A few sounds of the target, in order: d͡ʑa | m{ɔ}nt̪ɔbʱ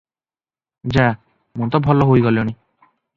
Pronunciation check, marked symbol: incorrect: u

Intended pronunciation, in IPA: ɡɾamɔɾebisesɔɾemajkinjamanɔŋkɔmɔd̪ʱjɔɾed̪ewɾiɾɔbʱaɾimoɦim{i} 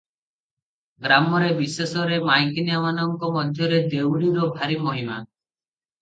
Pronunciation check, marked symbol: incorrect: a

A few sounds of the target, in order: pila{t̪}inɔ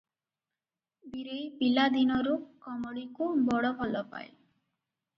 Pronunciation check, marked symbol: incorrect: d̪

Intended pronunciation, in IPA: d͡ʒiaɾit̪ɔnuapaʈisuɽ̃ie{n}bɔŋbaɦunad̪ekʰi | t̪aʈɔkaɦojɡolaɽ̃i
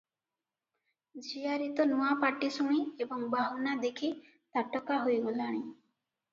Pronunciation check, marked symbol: incorrect: none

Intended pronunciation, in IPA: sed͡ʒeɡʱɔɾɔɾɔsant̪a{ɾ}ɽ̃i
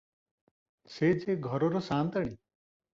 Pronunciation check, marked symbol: incorrect: none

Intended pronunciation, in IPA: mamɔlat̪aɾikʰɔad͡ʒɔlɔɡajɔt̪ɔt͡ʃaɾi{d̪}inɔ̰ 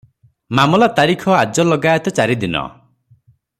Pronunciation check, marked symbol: correct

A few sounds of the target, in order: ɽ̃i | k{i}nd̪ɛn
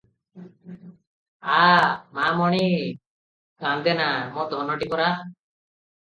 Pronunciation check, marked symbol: incorrect: a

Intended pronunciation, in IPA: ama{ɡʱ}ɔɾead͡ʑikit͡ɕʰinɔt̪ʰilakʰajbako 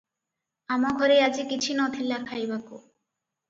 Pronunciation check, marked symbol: correct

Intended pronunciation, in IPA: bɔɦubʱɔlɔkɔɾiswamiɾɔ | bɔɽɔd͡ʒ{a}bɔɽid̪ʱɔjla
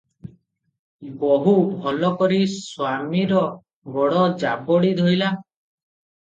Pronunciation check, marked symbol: correct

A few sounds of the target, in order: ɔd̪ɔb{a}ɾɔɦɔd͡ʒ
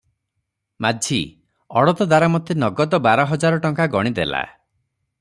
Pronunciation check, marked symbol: correct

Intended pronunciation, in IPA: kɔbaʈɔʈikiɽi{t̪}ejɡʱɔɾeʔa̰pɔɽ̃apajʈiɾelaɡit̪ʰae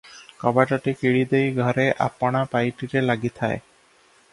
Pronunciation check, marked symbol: incorrect: d̪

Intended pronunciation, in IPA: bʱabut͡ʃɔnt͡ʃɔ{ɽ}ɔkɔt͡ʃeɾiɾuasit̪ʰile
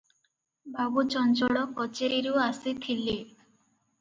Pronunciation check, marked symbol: correct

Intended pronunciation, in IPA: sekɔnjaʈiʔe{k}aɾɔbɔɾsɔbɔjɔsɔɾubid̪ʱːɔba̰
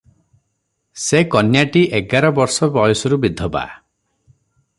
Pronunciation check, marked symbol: incorrect: ɡ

